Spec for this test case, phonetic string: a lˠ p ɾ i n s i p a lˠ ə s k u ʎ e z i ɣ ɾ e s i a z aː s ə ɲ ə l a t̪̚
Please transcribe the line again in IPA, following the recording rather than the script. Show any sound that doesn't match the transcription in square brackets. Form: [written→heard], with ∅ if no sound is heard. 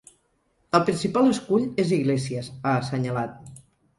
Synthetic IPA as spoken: [a→ə] lˠ p ɾ i n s i p a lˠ ə s k u ʎ e z i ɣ [ɾ→l] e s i [a→ə] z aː s ə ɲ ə l a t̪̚

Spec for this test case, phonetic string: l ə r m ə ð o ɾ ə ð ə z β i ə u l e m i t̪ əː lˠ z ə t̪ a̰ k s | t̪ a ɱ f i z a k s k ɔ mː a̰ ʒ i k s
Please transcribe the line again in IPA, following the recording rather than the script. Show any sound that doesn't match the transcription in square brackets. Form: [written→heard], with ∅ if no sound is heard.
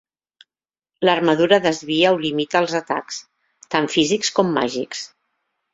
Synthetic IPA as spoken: l ə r m ə ð [o→u] ɾ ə ð ə z β i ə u l [e→i] m i t̪ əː lˠ z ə t̪ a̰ k s | t̪ a ɱ f i z [a→i] k s k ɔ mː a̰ ʒ i k s

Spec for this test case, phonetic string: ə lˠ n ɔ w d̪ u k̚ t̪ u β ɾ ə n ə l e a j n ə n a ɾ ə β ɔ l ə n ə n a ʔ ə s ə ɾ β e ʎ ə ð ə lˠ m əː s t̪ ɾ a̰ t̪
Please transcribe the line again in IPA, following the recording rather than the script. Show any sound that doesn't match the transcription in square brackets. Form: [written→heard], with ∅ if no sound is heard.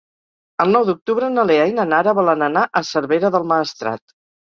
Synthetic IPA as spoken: ə lˠ n ɔ w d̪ u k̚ t̪ u β ɾ ə n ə l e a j n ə n a ɾ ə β ɔ l ə n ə n a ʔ ə s ə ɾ β e [ʎ→ɾ] ə ð ə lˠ m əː s t̪ ɾ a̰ t̪

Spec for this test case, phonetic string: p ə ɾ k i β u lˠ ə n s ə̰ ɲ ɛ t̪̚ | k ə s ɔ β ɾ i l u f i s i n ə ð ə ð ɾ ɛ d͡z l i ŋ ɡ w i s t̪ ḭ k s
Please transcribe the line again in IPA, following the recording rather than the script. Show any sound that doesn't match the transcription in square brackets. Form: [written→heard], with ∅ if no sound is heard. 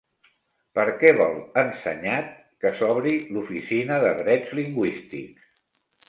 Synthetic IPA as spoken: p ə ɾ k [i→ɛ] β [u→ɔ] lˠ ə n s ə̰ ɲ [ɛ→a] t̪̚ | k ə s ɔ β ɾ i l u f i s i n ə ð ə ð ɾ ɛ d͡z l i ŋ ɡ w i s t̪ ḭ k s

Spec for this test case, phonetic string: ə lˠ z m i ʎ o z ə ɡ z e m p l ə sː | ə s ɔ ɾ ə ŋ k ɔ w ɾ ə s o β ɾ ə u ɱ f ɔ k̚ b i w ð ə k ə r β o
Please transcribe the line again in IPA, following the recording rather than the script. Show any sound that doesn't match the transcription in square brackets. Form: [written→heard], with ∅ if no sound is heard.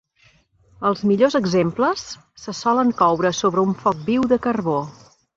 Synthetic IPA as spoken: ə lˠ z m i ʎ o z ə ɡ z e m p l ə sː | ə s ɔ [ɾ→l] ə ŋ k ɔ w ɾ ə s o β ɾ ə u ɱ f ɔ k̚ b i w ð ə k ə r β o

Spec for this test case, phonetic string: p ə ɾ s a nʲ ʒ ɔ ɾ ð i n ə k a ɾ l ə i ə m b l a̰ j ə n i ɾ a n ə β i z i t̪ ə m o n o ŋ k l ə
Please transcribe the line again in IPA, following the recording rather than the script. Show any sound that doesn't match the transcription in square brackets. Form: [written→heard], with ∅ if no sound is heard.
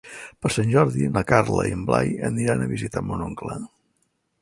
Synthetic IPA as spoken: p ə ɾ s a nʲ ʒ ɔ ɾ ð i n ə k a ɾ l ə i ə m b l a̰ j ə n i ɾ a n ə β i z i t̪ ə m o n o ŋ k l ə

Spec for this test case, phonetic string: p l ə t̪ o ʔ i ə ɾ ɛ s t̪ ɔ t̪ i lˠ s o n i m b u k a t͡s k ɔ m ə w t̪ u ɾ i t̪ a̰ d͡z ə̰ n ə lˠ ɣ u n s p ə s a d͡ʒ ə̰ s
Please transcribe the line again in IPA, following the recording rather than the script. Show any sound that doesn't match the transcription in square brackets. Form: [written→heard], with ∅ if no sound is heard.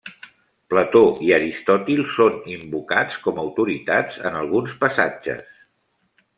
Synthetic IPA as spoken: p l ə t̪ o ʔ i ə ɾ [ɛ→i] s t̪ ɔ t̪ i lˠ s o n i m b u k a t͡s k ɔ m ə w t̪ u ɾ i t̪ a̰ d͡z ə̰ n ə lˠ ɣ u n s p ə s a d͡ʒ ə̰ s

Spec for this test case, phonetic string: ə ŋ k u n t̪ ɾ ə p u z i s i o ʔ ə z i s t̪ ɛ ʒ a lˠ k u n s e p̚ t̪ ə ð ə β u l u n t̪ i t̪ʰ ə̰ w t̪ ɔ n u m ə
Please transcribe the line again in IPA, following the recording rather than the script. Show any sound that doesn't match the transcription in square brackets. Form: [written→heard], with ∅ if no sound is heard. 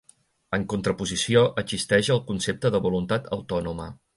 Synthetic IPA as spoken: ə ŋ k u n t̪ ɾ ə p u z i s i o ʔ ə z i s t̪ ɛ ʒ [a→ə] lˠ k u n s e p̚ t̪ ə ð ə β u l u n t̪ [i→a] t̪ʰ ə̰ w t̪ ɔ n u m ə

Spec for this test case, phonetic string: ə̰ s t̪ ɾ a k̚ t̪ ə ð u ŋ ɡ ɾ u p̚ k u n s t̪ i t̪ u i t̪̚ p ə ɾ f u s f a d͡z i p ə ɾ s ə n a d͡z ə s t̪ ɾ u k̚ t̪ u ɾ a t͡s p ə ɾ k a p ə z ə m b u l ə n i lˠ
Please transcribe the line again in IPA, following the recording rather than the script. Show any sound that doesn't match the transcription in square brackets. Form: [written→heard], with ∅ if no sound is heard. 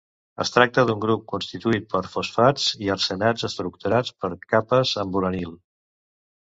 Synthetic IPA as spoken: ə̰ s t̪ ɾ a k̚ t̪ ə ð u ŋ ɡ ɾ u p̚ k u n s t̪ i t̪ u i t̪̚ p ə ɾ f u s f a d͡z i [p→∅] ə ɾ s ə n a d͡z ə s t̪ ɾ u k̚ t̪ u ɾ a t͡s p ə ɾ k a p ə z ə m b u l ə n i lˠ

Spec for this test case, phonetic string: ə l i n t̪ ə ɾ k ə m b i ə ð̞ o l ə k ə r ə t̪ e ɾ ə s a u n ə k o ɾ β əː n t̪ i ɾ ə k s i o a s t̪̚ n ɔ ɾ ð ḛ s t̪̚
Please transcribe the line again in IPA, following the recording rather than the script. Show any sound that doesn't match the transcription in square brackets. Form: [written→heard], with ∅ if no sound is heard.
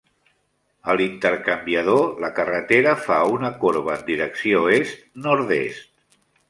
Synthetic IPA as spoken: ə l i n t̪ ə ɾ k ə m b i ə ð̞ o l ə k ə r ə t̪ e ɾ ə [s→f] a u n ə k o ɾ β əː n [t̪→d̪] i ɾ ə k s i o [a→e] s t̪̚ n ɔ ɾ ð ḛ s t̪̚

